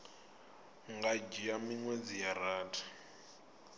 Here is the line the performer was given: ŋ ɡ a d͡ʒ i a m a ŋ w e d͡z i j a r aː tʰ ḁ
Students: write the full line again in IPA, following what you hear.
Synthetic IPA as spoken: ŋ ɡ a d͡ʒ i a m i ŋ w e d͡z i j a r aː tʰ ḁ